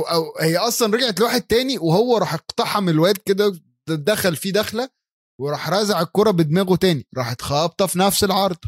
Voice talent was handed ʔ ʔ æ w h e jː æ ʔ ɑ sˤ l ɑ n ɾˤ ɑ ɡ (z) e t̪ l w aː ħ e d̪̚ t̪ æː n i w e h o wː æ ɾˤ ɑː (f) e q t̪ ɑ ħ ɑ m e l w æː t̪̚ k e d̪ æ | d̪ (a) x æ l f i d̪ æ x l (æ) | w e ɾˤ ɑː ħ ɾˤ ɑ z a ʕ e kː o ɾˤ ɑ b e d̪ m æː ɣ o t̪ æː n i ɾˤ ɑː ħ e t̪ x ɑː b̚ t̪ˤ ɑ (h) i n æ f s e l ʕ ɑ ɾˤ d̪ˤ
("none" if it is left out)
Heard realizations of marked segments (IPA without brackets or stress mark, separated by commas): ʕ, ħ, æ, æ, f